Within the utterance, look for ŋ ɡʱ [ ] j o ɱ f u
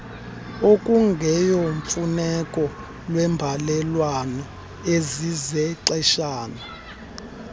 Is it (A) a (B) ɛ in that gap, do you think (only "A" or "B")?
B